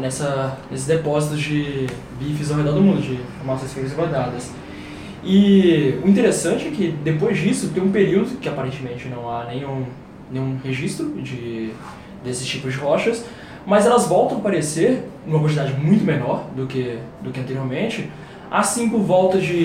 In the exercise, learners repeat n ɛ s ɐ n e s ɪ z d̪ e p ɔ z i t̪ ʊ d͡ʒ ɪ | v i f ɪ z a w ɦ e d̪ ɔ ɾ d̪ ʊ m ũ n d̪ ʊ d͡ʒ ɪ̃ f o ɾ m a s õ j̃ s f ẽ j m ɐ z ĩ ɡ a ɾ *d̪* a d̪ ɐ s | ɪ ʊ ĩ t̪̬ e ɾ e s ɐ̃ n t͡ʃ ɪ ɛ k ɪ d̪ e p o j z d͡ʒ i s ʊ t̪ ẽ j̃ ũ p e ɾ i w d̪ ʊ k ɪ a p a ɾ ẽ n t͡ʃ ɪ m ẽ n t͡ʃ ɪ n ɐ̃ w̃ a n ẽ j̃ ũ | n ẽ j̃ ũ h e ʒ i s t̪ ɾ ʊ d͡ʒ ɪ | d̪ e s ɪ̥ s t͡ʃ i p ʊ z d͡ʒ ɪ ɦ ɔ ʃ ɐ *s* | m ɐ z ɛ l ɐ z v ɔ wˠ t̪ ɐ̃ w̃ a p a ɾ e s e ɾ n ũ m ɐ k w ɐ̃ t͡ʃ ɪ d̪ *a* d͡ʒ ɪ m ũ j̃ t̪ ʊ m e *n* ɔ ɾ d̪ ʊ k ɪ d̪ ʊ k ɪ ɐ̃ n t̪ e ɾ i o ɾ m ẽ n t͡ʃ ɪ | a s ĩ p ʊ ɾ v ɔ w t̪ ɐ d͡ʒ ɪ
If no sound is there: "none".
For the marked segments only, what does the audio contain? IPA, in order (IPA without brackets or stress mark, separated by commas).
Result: d̪, s, a, n